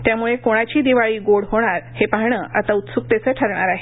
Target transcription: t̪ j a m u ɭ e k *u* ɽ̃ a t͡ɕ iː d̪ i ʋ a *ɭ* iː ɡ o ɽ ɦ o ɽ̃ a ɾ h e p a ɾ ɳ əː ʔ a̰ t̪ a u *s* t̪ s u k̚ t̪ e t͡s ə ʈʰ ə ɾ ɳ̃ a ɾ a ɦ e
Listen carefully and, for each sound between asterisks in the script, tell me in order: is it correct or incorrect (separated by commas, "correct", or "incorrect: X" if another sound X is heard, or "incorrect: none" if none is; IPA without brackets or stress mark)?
incorrect: o, correct, incorrect: none